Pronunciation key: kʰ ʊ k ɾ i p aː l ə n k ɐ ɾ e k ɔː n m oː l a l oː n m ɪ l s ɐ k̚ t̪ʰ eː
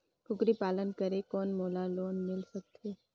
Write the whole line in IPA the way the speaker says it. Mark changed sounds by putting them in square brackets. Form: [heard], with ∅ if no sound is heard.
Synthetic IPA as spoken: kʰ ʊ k ɾ i p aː l ə n k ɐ ɾ e k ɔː n m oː l a l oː n m ɪ l s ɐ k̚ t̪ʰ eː